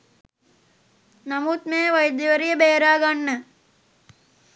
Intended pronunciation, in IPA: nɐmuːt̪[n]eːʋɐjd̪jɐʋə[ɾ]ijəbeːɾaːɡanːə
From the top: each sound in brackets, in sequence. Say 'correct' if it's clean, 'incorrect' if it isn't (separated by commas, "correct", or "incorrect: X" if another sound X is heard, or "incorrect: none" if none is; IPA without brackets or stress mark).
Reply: incorrect: m, correct